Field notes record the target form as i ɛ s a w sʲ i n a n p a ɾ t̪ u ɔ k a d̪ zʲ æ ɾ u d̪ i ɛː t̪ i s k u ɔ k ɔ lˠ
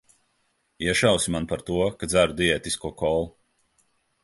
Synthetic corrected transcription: i ɛ ʃ a w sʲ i m a n p a ɾ t̪ u ɔ k a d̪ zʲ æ ɾ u d̪ i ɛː t̪ i s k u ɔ k ɔ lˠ